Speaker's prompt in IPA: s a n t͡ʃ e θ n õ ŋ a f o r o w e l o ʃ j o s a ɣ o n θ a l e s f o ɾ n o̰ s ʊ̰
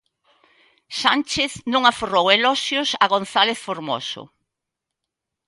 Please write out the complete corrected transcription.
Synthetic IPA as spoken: s a n t͡ʃ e θ n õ ŋ a f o r o w e l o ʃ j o s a ɣ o n θ a l e θ f o ɾ m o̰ s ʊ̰